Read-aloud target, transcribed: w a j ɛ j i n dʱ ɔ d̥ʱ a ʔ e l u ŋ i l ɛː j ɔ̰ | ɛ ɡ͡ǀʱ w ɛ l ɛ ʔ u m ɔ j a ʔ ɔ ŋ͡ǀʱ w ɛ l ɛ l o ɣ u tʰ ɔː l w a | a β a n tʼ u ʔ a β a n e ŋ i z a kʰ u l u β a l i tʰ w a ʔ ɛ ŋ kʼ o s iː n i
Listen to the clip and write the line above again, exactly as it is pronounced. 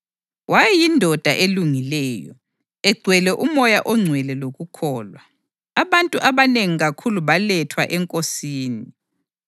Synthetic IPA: w a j ɛ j i n dʱ ɔ d̥ʱ a ʔ e l u ŋ i l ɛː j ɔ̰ | ɛ ɡ͡ǀʱ w ɛ l ɛ ʔ u m ɔ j a ʔ ɔ ŋ͡ǀʱ w ɛ l ɛ l o ɣ u kʰ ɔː l w a | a β a n tʼ u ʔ a β a n e ŋ i ɣ a kʰ u l u β a l ɛ tʰ w a ʔ ɛ ŋ kʼ o s iː n i